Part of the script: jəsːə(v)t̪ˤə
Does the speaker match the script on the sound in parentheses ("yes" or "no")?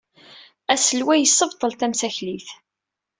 yes